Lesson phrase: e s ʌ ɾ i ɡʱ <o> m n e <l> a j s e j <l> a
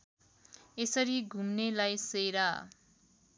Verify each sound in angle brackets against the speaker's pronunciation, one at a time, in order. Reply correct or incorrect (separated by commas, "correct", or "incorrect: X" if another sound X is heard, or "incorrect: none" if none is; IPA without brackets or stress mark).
incorrect: u, correct, incorrect: ɾ